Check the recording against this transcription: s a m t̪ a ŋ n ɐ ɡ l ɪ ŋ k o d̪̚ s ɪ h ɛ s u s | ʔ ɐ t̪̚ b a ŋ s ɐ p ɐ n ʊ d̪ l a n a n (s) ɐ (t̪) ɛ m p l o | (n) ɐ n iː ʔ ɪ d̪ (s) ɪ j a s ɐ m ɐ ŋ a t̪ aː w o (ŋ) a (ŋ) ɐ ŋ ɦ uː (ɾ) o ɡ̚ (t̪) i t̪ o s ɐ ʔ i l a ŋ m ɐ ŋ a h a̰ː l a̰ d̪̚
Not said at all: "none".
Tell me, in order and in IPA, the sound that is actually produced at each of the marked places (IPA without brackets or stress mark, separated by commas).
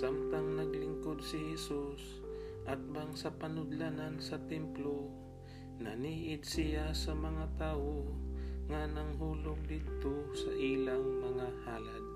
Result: s, t̪, n, s, ŋ, n, l, d̪